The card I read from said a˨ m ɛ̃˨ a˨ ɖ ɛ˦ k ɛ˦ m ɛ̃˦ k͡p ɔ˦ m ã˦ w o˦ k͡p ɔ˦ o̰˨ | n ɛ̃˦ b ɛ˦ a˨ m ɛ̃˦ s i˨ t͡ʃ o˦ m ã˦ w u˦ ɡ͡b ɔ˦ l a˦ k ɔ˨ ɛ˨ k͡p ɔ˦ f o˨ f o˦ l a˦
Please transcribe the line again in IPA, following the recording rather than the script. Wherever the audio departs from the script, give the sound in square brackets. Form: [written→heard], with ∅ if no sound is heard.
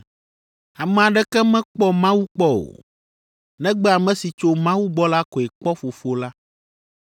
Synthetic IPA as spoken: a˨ m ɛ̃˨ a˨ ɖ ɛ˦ k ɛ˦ m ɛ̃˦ k͡p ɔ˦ m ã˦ w [o˦→u˦] k͡p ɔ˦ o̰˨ | n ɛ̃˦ [b→ɡ͡b] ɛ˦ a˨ m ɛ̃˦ s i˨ t͡ʃ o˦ m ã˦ w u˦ ɡ͡b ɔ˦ l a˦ k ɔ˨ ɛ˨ k͡p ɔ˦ f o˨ f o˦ l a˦